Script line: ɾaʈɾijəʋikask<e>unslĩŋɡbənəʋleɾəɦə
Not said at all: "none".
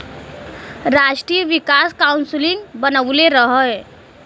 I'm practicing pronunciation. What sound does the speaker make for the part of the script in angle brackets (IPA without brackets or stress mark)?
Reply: a